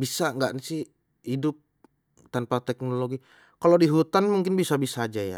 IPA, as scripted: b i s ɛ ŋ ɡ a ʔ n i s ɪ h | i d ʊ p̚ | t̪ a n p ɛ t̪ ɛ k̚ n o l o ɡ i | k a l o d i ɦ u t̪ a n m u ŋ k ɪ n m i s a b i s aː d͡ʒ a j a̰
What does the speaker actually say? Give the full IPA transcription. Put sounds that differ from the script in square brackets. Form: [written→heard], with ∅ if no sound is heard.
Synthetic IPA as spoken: b i s [ɛ→a] ŋ ɡ a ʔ n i s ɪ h | i d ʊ p̚ | t̪ a n p [ɛ→a] t̪ ɛ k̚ n o l o ɡ i | k a l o d i ɦ u t̪ a n m u ŋ k ɪ n [m→b] i s a b i s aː d͡ʒ a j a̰